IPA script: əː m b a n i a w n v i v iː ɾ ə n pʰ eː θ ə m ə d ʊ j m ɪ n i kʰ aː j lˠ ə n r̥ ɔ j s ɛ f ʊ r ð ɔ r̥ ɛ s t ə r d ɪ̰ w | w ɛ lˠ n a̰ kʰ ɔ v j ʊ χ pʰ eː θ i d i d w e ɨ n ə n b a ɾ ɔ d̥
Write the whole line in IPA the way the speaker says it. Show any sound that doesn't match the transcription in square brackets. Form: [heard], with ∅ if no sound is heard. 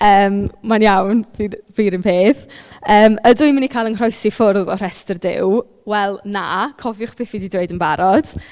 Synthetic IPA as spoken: əː m [m] a n [j] a w n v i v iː ɾ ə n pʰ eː θ [əː] m ə d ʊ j m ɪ n i kʰ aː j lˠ ə n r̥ ɔ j s [i] f ʊ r ð ɔ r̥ ɛ s t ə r d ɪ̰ w | w ɛ lˠ n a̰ kʰ ɔ v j ʊ χ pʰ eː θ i d i d w e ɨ [d] ə n b a ɾ ɔ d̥